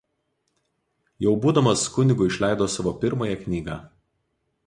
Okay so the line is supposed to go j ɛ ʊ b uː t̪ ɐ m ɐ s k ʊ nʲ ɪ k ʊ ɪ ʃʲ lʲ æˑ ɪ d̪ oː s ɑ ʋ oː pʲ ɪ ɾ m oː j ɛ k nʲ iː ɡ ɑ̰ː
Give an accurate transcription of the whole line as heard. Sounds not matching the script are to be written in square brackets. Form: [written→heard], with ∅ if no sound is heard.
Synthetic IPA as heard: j ɛ ʊ b uː [t̪→d̪] ɐ m ɐ s k ʊ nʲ ɪ [k→ɡ] ʊ ɪ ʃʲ lʲ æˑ ɪ d̪ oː s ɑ ʋ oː pʲ ɪ ɾ m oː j ɛ k nʲ iː ɡ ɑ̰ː